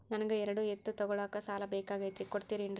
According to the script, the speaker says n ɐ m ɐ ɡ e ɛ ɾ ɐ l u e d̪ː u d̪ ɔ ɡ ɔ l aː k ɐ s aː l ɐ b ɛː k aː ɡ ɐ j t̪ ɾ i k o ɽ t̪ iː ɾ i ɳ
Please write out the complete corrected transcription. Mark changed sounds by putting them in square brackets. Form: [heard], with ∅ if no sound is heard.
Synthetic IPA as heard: n ɐ [n] ɐ ɡ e ɛ ɾ ɐ [ɽ] u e [t̪ː] u [t̪] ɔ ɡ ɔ [ɭ] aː k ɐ s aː l ɐ b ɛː k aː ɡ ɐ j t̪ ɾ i k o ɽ t̪ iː ɾ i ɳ